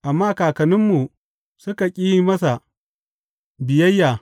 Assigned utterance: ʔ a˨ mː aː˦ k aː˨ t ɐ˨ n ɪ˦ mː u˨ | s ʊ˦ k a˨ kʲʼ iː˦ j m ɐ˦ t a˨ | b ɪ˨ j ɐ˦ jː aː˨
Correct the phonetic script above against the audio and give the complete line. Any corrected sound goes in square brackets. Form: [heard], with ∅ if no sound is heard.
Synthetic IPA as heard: ʔ a˨ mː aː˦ k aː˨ [k] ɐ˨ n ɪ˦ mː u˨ | s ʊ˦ k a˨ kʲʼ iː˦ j m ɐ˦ [s] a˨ | b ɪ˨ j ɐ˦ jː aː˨